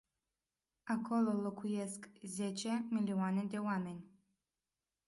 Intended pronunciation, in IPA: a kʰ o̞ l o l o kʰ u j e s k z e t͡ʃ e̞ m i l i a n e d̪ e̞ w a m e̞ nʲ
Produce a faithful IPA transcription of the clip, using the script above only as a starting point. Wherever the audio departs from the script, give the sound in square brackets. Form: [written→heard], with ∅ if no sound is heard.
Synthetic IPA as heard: a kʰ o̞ l o l o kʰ u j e s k z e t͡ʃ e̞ m i l i a n e d̪ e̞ w a m e̞ nʲ